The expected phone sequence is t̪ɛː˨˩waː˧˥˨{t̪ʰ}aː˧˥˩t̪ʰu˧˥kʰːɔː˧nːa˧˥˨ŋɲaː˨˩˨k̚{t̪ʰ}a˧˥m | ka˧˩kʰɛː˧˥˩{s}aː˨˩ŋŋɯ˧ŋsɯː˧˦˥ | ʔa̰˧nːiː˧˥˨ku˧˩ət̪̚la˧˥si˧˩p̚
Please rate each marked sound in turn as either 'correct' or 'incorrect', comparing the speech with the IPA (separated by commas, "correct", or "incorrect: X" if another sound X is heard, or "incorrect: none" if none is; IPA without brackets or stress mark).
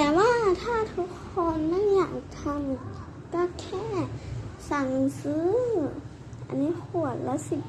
correct, correct, correct